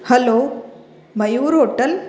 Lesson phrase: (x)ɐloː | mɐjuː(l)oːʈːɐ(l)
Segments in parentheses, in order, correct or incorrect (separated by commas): incorrect, incorrect, correct